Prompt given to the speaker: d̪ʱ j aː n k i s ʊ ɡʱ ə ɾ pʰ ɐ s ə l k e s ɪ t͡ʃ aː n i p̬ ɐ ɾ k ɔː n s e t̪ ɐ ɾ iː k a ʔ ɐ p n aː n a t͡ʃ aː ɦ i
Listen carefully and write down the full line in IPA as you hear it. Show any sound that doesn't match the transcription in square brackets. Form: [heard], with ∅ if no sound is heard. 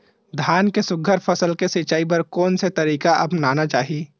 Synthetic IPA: d̪ʱ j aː n k [e] s ʊ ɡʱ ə ɾ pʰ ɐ s ə l k e s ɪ t͡ʃ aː [∅] i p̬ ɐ ɾ k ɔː n s e t̪ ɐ ɾ iː k a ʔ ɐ p n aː n a t͡ʃ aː ɦ i